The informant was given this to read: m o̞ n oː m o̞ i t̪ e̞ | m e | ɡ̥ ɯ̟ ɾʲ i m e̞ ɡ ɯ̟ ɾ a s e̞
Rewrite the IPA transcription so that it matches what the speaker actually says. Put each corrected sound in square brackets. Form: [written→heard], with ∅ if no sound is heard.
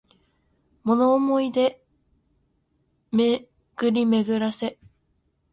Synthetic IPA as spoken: m o̞ n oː m o̞ i [t̪→d̪] e̞ | m e | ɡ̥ ɯ̟ ɾʲ i m e̞ ɡ ɯ̟ ɾ a s e̞